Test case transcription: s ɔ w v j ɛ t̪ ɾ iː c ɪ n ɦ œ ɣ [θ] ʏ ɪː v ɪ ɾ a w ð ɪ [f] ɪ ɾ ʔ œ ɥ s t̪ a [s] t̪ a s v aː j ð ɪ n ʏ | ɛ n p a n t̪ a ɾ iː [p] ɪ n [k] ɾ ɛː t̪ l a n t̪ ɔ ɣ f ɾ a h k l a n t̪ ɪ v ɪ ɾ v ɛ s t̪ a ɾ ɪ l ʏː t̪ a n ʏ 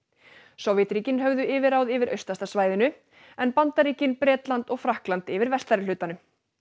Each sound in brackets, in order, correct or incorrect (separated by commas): incorrect, incorrect, correct, incorrect, incorrect